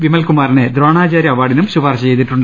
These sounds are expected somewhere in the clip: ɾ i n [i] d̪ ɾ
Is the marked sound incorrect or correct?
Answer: incorrect: e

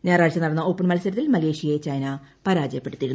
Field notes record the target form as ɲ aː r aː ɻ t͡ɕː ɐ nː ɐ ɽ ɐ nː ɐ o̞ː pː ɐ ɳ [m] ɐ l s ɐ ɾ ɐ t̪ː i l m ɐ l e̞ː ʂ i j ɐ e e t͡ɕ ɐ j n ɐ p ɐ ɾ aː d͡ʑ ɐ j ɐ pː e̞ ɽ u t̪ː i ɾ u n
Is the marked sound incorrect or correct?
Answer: correct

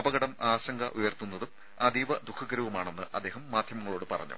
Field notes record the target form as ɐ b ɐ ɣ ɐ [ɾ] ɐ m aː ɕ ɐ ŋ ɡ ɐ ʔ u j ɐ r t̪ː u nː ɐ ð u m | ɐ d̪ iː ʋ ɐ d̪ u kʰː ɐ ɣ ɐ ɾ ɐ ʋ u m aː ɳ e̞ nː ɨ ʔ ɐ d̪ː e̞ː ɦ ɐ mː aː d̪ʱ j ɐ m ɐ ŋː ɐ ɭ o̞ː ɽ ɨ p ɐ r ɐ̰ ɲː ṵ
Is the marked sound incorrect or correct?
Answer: incorrect: ɽ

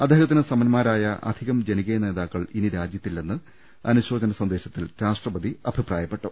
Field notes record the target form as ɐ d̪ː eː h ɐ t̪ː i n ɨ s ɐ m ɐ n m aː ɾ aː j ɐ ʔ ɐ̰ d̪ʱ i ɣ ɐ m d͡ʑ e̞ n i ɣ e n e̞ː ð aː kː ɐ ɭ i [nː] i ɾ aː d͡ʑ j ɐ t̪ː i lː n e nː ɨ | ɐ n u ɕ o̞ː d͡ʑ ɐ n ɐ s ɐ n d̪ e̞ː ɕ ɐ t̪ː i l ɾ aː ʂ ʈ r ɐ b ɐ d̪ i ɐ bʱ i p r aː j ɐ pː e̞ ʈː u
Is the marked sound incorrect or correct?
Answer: incorrect: n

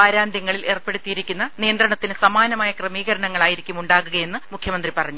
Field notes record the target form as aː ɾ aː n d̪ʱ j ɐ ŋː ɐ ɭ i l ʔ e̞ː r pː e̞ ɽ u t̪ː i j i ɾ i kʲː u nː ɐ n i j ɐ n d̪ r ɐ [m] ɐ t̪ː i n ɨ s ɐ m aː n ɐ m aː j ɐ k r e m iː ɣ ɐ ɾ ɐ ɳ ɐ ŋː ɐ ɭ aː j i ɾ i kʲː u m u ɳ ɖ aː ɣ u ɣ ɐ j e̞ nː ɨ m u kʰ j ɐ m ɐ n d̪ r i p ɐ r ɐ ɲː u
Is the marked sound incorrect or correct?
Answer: incorrect: ɳ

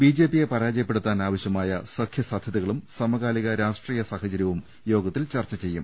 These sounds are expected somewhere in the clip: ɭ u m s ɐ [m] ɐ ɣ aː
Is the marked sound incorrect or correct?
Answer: correct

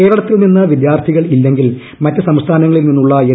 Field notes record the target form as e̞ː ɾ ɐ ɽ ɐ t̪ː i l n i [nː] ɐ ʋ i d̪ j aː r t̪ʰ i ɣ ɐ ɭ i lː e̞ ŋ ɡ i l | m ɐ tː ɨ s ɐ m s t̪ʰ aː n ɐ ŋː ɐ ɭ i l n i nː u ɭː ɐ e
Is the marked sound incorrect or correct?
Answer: correct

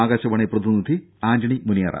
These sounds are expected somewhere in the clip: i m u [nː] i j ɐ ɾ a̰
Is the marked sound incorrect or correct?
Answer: incorrect: n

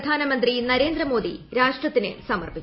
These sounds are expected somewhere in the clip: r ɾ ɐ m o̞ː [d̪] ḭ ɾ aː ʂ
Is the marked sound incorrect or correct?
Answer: correct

